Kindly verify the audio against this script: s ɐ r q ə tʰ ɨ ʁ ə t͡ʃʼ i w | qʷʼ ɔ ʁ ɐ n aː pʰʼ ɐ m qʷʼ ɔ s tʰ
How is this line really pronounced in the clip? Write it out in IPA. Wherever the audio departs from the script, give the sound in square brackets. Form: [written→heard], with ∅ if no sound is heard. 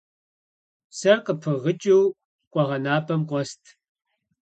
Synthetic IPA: s ɐ r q ə [tʰ→pʰ] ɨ ʁ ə t͡ʃʼ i w | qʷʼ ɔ ʁ ɐ n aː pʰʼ ɐ m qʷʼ ɔ s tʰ